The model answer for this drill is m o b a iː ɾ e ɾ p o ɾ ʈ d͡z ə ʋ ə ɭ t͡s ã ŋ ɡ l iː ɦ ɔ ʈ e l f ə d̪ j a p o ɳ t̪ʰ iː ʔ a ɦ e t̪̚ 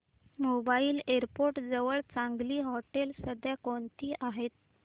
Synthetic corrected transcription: m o b a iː l e ɾ p o ɾ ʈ d͡z ə ʋ ə ɭ t͡s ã ŋ ɡ l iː ɦ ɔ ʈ e l s ə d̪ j a k o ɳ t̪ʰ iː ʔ a ɦ e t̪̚